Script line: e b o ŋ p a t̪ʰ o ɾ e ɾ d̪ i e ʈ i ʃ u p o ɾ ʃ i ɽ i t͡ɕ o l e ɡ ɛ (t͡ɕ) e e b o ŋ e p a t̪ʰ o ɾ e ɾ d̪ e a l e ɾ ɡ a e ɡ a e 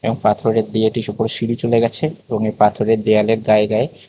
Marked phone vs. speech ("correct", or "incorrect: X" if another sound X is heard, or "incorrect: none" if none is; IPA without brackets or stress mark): incorrect: t͡ɕʰ